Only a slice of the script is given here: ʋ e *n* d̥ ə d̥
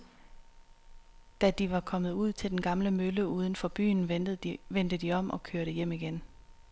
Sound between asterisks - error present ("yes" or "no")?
no